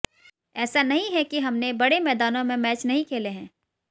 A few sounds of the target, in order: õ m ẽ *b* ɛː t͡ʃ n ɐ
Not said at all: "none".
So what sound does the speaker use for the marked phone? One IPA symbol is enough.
m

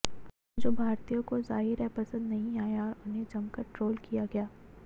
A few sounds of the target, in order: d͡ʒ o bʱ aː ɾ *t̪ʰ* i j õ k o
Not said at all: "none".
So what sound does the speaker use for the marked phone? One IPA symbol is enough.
t̪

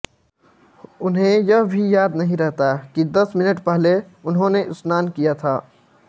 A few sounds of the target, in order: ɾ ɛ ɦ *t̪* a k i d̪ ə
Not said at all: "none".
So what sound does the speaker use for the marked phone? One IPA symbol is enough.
t̪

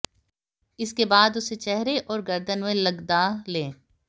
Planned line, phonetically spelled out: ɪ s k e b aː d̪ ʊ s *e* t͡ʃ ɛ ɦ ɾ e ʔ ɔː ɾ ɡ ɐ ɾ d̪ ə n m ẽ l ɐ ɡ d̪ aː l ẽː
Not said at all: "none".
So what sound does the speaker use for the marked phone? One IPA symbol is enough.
e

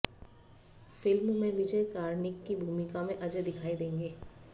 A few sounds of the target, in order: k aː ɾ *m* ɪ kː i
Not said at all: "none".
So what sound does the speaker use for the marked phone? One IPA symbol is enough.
n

